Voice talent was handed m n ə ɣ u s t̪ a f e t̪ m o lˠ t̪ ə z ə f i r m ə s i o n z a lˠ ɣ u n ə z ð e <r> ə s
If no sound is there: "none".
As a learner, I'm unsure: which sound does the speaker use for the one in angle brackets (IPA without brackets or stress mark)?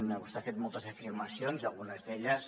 ʎ